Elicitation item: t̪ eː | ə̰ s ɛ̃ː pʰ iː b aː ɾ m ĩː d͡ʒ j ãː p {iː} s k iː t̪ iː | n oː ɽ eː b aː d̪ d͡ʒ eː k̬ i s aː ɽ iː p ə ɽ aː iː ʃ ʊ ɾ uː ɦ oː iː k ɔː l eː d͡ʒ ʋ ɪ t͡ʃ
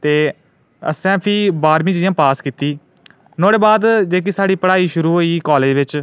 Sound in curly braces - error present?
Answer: yes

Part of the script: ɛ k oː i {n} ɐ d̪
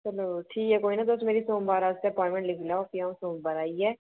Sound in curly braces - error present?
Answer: no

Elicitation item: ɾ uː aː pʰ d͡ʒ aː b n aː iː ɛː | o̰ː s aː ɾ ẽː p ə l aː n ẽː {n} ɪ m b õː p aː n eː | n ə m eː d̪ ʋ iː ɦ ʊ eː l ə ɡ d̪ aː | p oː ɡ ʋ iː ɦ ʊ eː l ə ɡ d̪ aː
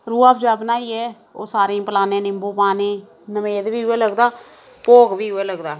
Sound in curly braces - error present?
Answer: no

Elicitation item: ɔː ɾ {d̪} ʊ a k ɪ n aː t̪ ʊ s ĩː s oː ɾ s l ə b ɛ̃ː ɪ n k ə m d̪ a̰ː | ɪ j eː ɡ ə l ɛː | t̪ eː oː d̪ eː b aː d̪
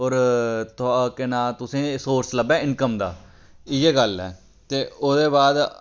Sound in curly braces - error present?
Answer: yes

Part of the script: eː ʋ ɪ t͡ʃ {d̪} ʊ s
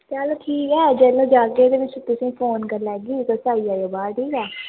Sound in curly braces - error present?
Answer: yes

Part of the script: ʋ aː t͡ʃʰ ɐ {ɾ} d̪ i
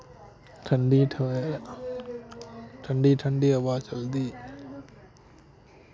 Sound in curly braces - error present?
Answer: yes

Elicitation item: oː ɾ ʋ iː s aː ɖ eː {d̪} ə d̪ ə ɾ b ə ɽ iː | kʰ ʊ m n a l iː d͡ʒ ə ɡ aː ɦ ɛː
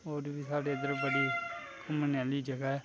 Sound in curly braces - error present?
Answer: yes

